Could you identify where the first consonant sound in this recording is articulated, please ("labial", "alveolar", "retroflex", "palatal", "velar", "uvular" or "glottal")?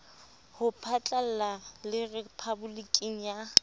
glottal